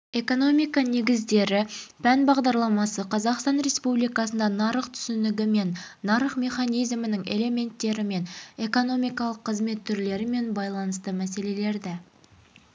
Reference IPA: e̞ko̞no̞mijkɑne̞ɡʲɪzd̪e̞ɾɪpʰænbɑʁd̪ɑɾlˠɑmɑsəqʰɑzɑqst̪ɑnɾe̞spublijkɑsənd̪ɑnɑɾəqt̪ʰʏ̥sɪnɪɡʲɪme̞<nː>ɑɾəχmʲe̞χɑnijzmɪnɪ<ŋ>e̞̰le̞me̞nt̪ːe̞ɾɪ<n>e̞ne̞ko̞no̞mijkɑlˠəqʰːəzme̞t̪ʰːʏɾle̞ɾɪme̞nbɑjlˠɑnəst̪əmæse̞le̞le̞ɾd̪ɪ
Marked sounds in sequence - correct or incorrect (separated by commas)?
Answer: correct, correct, incorrect